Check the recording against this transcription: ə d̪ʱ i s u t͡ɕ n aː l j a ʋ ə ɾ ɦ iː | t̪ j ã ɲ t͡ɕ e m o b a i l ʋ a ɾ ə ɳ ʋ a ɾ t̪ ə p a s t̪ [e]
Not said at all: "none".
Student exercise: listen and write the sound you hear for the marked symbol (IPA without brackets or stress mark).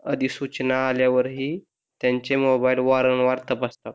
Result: a